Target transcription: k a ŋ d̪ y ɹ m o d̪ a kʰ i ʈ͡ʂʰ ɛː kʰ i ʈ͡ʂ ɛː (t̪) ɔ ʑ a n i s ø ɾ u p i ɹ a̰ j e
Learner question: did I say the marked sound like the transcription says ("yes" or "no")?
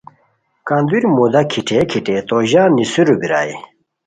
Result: yes